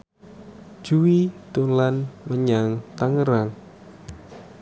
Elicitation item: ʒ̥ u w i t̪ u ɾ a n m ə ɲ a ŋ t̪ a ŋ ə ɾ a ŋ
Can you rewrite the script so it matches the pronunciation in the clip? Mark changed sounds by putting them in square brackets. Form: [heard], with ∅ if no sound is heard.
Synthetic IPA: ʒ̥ u w i t̪ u [l] a n m ə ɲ a ŋ t̪ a ŋ ə ɾ a ŋ

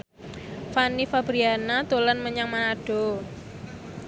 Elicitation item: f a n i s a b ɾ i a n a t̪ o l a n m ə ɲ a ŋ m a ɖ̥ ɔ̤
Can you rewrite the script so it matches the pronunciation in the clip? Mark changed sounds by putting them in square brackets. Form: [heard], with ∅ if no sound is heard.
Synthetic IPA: f a n i [f] a b ɾ i a n a t̪ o l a n m ə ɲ a ŋ m a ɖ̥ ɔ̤

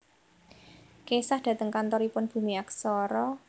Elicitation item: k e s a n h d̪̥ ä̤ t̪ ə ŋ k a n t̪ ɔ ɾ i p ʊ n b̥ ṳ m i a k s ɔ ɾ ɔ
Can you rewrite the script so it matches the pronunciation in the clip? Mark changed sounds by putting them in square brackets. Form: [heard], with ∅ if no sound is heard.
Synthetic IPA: k e s a [∅] h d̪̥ ä̤ t̪ ə ŋ k a n t̪ ɔ ɾ i p ʊ n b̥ ṳ m i a k s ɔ ɾ ɔ

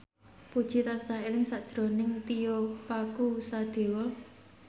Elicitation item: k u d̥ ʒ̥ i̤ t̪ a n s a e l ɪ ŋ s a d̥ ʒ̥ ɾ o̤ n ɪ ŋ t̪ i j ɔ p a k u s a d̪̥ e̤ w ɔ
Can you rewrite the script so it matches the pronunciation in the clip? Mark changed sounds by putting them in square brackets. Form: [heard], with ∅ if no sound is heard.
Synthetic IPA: [p] u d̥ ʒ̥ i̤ t̪ a n s a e l ɪ ŋ s a d̥ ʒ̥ ɾ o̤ n ɪ ŋ t̪ i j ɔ p a k u s a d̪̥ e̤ w ɔ

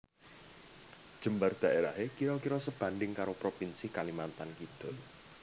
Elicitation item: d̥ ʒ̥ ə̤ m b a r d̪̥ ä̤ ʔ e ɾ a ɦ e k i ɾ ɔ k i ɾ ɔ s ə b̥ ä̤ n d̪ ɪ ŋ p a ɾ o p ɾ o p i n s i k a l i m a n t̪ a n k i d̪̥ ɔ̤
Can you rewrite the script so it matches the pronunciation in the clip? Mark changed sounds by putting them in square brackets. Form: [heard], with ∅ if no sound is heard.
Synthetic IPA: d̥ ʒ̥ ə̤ m b a r d̪̥ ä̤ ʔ e ɾ a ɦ e k i ɾ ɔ k i ɾ ɔ s ə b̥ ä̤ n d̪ ɪ ŋ [k] a ɾ o p ɾ o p i n s i k a l i m a n t̪ a n k i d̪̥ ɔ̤

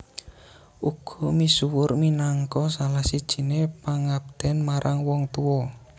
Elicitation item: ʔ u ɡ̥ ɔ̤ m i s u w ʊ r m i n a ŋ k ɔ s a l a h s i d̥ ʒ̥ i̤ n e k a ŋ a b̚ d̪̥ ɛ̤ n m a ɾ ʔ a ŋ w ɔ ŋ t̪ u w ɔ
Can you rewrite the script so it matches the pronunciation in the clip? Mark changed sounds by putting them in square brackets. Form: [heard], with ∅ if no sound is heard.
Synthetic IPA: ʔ u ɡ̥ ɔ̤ m i s u w ʊ r m i n a ŋ k ɔ s a l a h s i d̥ ʒ̥ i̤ n e [p] a ŋ a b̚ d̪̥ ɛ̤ n m a ɾ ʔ a ŋ w ɔ ŋ t̪ u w ɔ

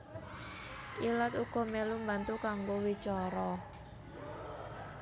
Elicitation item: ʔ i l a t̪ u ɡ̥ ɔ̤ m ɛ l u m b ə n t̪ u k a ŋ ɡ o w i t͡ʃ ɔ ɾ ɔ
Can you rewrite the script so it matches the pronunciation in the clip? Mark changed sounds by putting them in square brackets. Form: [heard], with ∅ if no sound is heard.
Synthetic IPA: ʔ i l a t̪ u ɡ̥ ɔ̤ m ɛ l u m b [a] n t̪ u k a ŋ ɡ o w i t͡ʃ ɔ ɾ ɔ

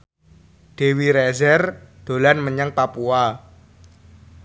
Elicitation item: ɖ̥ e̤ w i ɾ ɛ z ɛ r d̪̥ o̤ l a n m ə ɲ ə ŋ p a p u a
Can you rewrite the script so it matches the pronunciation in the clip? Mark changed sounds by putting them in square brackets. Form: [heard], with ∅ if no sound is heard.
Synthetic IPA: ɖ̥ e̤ w i ɾ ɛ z ɛ r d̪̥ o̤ l a n m ə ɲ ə ŋ p a p u a

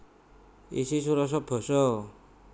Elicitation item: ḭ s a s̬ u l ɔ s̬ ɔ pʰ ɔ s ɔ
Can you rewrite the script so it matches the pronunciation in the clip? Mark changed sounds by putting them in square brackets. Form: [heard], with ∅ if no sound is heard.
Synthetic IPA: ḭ s [i] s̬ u [ɾ] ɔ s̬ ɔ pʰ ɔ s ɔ

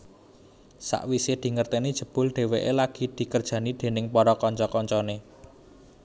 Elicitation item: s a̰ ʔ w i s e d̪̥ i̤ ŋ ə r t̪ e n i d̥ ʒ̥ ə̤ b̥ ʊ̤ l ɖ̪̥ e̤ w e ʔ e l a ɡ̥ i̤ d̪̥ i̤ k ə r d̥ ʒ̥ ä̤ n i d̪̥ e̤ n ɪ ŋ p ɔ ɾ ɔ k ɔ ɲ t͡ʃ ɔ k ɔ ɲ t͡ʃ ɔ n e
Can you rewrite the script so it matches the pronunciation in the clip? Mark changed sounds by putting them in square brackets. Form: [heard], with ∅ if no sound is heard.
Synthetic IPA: s a̰ ʔ w i s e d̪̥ i̤ ŋ ə r t̪ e n i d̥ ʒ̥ ə̤ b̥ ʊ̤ l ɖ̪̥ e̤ w e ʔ e l a ɡ̥ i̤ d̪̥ i̤ k ə r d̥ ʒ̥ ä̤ n i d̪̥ e̤ n ɪ ŋ p ɔ ɾ ɔ k ɔ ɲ t͡ʃ ɔ k ɔ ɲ t͡ʃ ɔ n e

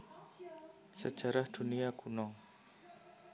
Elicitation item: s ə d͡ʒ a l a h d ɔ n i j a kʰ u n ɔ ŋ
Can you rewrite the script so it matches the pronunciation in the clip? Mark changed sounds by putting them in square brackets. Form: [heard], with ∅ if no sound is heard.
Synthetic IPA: s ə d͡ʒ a [ɾ] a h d [u] n i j a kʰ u n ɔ ŋ

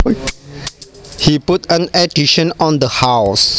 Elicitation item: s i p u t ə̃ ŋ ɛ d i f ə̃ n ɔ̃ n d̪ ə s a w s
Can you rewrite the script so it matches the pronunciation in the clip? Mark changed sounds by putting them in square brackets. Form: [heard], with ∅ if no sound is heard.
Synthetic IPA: [h] i p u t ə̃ [n] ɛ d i [ʃ] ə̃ n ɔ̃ n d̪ ə [h] a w s

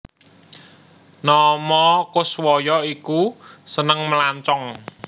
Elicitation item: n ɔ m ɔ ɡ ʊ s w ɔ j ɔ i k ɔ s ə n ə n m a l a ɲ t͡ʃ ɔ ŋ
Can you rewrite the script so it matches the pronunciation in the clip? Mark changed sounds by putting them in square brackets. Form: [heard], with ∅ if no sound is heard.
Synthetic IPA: n ɔ m ɔ [k] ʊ s w ɔ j ɔ i k [u] s ə n ə [ŋ] m [ə] l a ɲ t͡ʃ ɔ ŋ

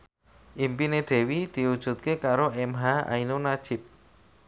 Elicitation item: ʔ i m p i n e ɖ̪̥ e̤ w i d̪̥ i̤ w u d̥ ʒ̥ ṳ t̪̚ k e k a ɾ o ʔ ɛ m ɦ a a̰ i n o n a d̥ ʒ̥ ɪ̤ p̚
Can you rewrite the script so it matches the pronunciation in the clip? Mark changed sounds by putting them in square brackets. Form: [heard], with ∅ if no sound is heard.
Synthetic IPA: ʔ i m p i n e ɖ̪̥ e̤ w i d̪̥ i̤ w u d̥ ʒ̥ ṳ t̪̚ k e k a ɾ o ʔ ɛ m ɦ a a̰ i n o n a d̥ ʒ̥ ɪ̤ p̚

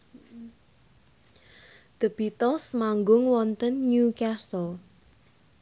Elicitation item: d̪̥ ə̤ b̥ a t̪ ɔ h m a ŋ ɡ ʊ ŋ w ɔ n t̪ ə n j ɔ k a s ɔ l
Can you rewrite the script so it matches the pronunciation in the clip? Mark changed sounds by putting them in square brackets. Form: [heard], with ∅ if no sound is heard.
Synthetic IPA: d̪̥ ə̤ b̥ [i] t̪ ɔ [s] m a ŋ ɡ ʊ ŋ w ɔ n t̪ ə n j [u] k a s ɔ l

